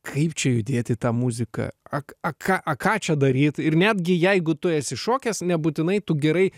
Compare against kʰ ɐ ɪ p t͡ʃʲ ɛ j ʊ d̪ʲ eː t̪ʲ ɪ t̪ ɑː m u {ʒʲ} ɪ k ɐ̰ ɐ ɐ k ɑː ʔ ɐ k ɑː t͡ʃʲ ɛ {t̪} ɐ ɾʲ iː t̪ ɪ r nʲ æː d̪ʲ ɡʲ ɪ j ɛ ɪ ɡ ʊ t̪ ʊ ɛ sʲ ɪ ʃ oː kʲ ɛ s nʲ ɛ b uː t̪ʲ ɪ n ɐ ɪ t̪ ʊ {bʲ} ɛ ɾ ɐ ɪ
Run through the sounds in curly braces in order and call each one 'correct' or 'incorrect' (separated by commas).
incorrect, incorrect, incorrect